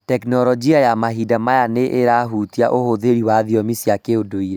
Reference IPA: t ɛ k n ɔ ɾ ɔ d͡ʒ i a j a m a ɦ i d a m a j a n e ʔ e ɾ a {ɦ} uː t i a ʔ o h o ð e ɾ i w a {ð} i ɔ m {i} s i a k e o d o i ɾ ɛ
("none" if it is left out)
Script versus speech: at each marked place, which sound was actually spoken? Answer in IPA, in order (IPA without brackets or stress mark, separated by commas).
ɦ, ð, i